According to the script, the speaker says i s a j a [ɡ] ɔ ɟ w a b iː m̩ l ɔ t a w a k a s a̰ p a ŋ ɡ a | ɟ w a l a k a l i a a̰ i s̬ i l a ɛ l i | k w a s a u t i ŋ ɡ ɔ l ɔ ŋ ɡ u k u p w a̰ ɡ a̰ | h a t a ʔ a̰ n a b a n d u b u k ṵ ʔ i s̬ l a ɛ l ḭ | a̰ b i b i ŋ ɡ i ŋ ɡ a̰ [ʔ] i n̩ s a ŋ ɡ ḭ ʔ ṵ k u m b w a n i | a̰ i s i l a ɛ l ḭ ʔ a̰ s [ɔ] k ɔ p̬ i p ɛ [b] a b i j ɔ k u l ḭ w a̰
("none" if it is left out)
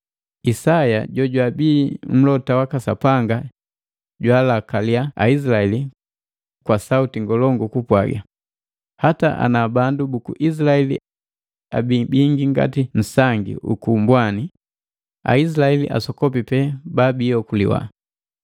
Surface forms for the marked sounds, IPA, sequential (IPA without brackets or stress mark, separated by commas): ɟ, t, ɔ, b